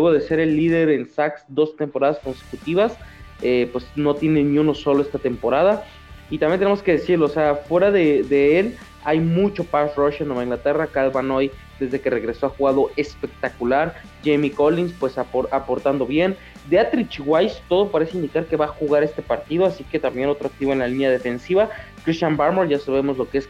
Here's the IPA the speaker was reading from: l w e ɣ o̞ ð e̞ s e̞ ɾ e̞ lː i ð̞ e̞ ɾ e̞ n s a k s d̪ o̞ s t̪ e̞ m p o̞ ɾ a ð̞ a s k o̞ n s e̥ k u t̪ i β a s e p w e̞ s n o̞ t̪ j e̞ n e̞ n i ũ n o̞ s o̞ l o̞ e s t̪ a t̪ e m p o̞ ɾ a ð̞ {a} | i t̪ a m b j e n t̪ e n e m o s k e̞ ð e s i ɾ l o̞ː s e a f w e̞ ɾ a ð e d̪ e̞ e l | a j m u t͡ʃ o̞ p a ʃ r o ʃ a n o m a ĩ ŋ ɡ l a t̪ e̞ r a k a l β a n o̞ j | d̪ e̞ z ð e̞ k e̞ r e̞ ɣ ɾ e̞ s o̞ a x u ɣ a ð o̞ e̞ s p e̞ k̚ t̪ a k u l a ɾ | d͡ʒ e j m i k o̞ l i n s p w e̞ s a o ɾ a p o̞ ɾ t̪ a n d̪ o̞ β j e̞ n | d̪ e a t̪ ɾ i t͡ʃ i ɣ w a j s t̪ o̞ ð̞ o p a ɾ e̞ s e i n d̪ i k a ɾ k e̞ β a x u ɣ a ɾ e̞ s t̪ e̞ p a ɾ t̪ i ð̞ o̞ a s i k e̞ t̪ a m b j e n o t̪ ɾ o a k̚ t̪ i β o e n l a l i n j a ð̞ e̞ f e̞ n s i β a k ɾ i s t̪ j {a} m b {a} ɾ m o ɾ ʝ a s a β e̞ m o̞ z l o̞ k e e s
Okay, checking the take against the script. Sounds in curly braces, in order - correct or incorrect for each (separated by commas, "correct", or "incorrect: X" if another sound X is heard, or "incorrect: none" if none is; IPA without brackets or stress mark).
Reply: correct, correct, correct